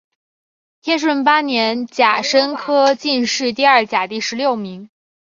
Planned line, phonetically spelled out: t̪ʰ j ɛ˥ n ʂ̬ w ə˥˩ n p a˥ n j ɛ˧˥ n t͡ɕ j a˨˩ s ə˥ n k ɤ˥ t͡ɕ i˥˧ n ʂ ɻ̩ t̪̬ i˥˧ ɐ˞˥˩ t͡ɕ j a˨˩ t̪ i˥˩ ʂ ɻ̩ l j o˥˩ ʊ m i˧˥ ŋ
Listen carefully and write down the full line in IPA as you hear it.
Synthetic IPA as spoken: t̪ʰ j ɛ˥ n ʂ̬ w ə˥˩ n p a˥ n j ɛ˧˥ n t͡ɕ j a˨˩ ʂ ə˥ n kʰ ɤ˥ t͡ɕ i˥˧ n ʂ ɻ̩ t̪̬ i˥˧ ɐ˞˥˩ t͡ɕ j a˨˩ t̪ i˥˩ ʂ ɻ̩ l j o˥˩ ʊ m i˧˥ ŋ